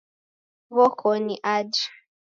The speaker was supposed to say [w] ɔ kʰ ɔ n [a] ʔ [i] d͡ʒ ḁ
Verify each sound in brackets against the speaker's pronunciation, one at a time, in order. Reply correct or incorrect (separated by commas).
incorrect, incorrect, incorrect